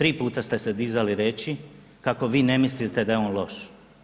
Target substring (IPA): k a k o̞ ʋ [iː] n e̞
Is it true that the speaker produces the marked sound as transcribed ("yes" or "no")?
yes